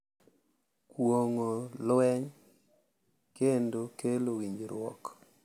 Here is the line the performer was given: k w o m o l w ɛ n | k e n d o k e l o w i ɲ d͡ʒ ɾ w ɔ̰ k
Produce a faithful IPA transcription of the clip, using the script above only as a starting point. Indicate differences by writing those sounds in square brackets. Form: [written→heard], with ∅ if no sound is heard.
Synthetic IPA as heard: k w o [m→ŋ] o l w ɛ [n→ɲ] | k e n d o k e l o w i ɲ d͡ʒ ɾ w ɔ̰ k